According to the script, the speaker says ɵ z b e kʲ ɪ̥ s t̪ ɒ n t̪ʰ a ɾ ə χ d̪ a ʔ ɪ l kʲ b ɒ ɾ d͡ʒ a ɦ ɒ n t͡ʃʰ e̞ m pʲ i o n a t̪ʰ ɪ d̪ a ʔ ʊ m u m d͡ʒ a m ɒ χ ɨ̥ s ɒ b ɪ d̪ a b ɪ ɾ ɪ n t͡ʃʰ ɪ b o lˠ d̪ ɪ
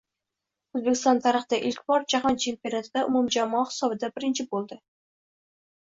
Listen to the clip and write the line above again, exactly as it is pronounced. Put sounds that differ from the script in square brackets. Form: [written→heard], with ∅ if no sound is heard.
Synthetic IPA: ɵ z b e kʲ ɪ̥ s t̪ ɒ n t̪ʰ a ɾ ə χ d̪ a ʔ ɪ l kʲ b ɒ ɾ d͡ʒ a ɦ ɒ n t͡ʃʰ e̞ m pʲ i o n a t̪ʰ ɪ d̪ a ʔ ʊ m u m d͡ʒ a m ɒ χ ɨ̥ s ɒ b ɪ d̪ a b ɪ ɾ ɪ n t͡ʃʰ ɪ b o lˠ d̪ ɪ